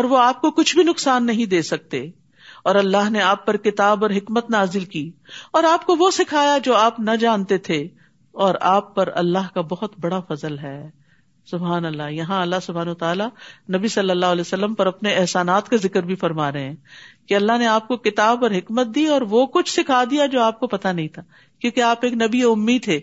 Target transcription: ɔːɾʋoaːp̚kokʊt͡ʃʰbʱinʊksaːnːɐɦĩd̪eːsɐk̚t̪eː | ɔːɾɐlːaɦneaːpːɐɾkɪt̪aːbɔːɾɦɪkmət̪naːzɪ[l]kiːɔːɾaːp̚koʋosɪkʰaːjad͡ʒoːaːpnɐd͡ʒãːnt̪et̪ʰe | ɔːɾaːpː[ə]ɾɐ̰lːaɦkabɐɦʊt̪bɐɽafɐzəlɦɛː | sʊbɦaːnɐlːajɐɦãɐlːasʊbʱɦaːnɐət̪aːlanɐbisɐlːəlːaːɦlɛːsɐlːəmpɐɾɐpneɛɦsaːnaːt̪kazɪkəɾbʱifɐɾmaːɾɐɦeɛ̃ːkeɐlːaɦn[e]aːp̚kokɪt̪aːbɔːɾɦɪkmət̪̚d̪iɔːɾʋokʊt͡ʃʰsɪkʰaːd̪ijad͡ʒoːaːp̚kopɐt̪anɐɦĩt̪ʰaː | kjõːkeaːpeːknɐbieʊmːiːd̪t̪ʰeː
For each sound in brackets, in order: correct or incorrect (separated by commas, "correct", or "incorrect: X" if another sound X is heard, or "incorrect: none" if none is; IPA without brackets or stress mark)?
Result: correct, incorrect: ɐ, correct